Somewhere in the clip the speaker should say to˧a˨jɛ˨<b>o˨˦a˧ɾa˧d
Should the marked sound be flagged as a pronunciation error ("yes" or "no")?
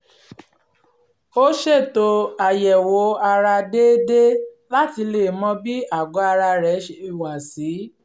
yes